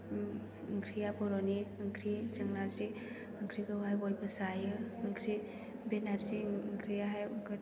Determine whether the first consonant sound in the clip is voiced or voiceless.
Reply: voiced